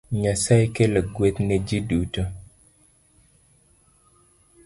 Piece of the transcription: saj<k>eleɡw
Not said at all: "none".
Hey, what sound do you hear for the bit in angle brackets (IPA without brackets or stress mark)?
k